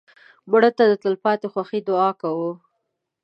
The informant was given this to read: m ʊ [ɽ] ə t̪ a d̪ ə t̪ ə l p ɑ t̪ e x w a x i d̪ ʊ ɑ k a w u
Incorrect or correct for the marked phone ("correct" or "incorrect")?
correct